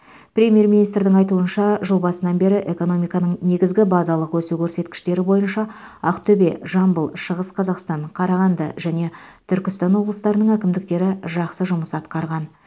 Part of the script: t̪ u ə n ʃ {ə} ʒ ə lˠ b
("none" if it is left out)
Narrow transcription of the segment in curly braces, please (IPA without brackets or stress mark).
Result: ɑ